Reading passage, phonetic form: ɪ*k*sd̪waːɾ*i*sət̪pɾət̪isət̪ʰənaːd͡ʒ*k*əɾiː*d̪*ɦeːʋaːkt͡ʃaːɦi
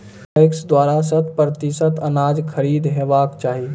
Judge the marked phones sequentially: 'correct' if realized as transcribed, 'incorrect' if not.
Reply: correct, incorrect, incorrect, correct

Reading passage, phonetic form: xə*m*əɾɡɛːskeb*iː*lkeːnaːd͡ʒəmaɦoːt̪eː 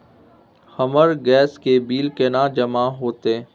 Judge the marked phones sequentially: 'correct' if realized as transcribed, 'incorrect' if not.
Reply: correct, correct

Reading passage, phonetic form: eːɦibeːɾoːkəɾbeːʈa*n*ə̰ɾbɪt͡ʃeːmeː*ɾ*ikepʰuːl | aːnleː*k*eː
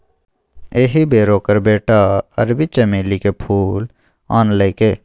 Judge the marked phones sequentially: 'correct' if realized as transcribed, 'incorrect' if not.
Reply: incorrect, incorrect, correct

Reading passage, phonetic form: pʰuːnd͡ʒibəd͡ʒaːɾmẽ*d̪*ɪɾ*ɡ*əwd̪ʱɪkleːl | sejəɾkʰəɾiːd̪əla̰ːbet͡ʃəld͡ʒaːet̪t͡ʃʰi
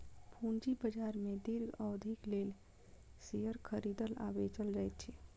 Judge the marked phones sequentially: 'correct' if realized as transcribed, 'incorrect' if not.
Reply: correct, correct

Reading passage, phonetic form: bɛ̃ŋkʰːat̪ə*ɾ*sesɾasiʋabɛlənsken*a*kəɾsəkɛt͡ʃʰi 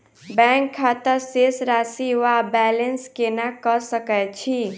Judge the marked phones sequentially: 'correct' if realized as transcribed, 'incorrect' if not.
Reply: correct, correct

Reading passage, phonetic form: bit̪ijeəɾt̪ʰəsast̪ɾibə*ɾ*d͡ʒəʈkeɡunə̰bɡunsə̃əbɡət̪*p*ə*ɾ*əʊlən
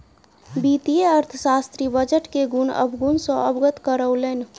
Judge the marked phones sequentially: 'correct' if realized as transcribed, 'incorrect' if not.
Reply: incorrect, incorrect, correct

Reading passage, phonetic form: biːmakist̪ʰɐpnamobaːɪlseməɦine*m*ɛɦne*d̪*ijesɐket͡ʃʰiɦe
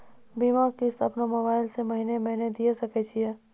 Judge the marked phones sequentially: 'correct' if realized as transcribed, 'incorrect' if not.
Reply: correct, correct

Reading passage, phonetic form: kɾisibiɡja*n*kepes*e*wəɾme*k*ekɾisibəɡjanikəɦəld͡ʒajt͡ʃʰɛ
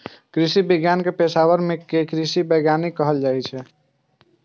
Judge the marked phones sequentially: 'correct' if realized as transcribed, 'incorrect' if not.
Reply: correct, incorrect, correct

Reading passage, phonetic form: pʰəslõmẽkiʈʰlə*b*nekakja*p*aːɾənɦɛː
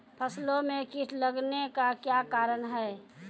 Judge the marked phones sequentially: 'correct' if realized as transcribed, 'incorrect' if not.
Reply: incorrect, incorrect

